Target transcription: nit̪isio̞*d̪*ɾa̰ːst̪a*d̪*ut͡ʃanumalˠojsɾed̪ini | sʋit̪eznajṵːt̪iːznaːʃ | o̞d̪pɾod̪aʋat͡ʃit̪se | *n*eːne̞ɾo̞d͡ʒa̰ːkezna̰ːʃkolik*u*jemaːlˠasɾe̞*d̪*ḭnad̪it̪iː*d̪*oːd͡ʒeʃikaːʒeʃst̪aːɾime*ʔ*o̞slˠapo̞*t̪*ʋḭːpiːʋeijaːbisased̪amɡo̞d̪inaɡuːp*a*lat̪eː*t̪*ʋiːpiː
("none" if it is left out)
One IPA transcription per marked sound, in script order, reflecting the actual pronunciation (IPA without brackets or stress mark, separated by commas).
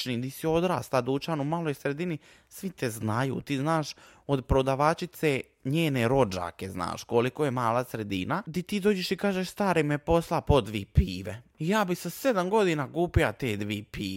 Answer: d̪, d̪, ɲ, o, d̪, d̪, p, d̪, i, d̪